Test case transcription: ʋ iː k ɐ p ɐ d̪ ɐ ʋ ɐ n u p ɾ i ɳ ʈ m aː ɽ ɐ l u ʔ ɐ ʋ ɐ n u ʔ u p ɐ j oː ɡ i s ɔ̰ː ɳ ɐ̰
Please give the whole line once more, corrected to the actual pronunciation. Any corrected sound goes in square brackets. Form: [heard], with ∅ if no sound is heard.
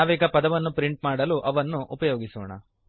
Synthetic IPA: ʋ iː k ɐ p ɐ d̪ ɐ ʋ ɐ [nː] u p ɾ i ɳ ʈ m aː ɽ ɐ l u ʔ ɐ ʋ ɐ [nː] u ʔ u p ɐ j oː ɡ i s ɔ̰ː ɳ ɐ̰